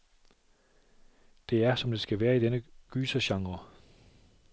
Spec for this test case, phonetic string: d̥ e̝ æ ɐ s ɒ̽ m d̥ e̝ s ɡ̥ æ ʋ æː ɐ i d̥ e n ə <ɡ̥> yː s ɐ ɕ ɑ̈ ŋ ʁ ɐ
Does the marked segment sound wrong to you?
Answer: no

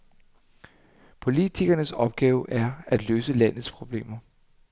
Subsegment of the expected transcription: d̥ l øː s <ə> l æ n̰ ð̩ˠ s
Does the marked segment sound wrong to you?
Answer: no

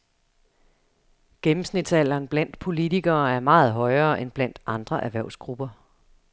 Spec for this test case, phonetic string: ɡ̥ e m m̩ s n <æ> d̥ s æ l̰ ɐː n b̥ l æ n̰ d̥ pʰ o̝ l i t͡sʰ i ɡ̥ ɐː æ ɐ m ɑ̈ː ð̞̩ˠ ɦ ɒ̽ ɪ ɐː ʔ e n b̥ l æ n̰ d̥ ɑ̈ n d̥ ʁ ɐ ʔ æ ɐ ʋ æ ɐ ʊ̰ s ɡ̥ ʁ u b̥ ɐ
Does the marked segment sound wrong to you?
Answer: yes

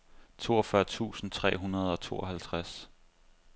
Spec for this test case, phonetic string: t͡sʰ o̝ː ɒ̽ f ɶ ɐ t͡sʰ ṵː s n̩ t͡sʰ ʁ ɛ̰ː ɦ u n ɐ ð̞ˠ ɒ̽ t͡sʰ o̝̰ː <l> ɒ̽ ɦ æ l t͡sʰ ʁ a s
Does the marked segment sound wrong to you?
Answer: yes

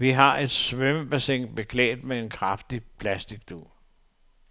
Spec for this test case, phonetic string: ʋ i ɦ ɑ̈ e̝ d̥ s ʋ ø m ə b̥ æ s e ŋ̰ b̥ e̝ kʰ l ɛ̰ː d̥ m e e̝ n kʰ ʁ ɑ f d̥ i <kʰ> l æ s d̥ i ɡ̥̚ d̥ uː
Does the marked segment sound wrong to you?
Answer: yes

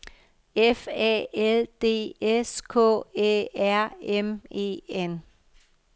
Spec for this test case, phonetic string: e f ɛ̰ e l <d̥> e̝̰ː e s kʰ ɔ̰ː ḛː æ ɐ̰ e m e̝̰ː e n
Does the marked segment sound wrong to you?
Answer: no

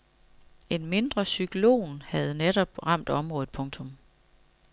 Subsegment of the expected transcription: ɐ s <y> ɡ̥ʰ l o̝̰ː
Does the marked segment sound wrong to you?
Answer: no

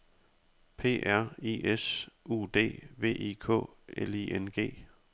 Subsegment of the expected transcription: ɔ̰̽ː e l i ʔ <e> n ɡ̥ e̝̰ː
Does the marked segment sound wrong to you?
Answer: no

